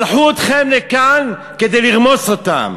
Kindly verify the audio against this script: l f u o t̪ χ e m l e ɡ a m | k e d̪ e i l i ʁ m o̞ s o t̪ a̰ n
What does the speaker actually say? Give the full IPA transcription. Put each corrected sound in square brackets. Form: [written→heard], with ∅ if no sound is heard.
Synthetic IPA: l [f→ħ] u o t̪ χ e m l e [ɡ→k] a [m→n] | k e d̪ e [i→j] l i ʁ m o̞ s o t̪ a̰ [n→m]